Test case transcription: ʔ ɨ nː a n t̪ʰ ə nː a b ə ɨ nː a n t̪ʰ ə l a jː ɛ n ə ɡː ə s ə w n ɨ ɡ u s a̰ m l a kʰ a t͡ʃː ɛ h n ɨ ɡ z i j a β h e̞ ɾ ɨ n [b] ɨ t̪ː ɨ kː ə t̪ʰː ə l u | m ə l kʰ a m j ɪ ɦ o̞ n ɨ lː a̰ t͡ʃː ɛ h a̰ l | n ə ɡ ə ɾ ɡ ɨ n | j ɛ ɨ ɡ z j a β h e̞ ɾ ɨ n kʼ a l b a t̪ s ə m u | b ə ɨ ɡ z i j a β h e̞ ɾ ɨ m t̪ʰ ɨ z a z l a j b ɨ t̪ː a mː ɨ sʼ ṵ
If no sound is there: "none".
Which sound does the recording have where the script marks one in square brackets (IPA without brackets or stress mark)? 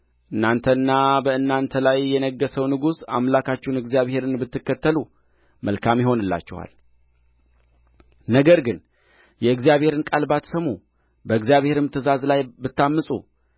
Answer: b